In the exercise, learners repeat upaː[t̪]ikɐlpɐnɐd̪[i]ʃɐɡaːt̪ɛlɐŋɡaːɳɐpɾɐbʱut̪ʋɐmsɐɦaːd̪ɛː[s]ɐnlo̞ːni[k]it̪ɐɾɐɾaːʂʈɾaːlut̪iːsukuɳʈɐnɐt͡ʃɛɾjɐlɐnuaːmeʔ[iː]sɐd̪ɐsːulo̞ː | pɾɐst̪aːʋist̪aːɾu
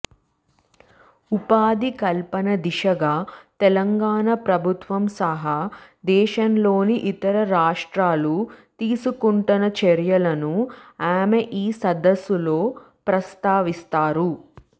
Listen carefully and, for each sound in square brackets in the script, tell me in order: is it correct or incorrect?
incorrect, correct, incorrect, incorrect, correct

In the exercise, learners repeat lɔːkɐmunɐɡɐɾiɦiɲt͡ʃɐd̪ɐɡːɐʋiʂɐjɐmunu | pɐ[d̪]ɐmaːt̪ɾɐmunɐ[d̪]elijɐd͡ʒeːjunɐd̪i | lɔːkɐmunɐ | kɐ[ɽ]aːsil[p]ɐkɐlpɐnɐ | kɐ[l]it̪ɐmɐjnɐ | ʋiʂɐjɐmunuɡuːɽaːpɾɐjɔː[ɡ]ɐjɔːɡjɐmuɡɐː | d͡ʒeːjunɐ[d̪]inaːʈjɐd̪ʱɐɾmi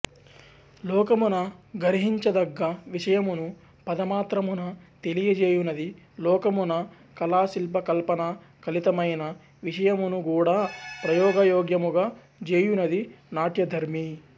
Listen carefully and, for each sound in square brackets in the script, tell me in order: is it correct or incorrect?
correct, incorrect, incorrect, correct, correct, correct, correct

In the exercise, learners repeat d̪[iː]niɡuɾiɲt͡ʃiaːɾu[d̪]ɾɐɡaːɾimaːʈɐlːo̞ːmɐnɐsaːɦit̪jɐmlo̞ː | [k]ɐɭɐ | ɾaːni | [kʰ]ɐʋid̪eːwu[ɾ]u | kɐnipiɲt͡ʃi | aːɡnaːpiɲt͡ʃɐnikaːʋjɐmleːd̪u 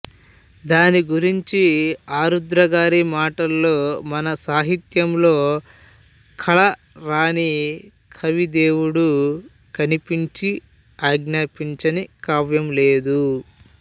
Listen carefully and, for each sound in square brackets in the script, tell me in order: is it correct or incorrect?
incorrect, correct, incorrect, correct, incorrect

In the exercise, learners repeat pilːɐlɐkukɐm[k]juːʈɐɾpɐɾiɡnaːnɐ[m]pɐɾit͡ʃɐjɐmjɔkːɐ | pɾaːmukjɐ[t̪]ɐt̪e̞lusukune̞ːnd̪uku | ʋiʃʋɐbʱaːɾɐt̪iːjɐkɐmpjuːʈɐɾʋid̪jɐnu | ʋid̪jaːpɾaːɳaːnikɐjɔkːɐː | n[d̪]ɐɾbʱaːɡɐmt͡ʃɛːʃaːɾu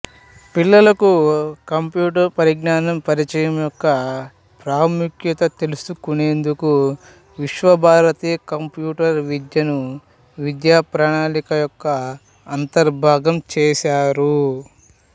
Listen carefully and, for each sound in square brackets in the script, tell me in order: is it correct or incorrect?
incorrect, correct, correct, incorrect

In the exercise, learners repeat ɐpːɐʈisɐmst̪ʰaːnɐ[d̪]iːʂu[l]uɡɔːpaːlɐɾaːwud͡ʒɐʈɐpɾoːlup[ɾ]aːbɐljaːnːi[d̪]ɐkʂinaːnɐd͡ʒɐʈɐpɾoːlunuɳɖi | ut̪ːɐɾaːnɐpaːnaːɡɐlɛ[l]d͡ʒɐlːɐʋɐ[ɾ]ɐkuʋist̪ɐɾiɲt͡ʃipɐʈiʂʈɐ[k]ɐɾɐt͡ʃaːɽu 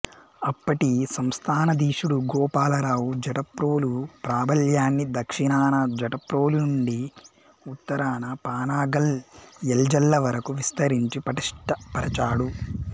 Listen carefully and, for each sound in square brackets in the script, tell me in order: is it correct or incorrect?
correct, incorrect, correct, correct, correct, correct, incorrect

